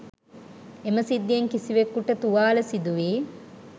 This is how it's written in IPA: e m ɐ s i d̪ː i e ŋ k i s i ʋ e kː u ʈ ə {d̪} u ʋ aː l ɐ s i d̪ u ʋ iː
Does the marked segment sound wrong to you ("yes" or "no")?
yes